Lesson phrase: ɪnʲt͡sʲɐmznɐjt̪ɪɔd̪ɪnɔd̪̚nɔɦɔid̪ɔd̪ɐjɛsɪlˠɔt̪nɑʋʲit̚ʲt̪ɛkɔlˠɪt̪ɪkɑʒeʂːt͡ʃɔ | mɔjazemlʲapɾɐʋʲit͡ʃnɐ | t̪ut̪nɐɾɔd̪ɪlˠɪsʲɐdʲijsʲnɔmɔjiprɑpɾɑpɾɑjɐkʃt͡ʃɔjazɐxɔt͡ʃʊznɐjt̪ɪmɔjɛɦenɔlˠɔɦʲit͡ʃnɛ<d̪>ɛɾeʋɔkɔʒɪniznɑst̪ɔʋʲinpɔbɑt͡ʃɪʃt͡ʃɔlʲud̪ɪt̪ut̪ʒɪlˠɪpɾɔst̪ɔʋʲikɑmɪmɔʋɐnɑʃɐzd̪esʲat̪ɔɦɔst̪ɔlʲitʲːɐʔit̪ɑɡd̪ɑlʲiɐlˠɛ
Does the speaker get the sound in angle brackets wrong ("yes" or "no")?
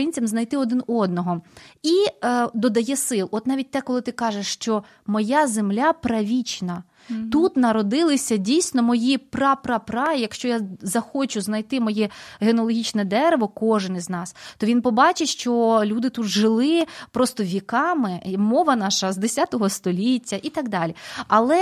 no